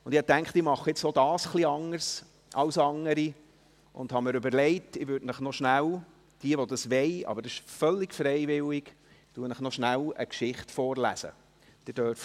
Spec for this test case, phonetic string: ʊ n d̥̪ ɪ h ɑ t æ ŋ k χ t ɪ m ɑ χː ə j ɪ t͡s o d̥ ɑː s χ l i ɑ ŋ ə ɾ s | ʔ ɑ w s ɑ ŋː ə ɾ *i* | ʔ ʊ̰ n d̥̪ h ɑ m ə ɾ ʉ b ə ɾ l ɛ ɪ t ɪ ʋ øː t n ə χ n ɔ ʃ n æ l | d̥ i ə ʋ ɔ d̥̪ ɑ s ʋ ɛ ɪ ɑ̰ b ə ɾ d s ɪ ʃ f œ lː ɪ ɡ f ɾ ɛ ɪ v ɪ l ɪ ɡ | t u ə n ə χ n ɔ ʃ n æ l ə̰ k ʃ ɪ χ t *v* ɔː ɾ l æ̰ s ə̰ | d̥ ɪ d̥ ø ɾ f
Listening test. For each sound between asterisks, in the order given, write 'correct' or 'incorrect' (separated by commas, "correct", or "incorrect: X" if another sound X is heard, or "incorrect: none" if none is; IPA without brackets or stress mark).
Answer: correct, incorrect: f